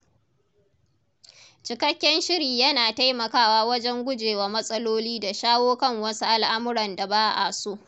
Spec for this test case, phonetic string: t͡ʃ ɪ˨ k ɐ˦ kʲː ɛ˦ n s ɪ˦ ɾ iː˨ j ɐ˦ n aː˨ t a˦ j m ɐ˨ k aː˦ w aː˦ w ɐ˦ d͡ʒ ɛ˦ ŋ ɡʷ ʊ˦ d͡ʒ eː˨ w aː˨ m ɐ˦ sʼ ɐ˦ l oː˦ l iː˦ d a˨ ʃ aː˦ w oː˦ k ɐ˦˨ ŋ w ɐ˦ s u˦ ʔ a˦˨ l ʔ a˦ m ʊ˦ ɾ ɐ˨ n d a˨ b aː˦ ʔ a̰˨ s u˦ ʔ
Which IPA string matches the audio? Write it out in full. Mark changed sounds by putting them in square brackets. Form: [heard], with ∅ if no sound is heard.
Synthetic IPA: t͡ʃ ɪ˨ k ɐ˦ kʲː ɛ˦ n [ʃ] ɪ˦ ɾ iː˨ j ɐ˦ n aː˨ t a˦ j m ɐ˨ k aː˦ w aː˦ w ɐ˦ d͡ʒ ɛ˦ ŋ ɡʷ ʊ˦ d͡ʒ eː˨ w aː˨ m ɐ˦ sʼ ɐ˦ l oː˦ l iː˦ d a˨ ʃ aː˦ w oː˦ k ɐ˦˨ ŋ w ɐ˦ s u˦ ʔ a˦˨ l ʔ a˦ m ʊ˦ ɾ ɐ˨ n d a˨ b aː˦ ʔ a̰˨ s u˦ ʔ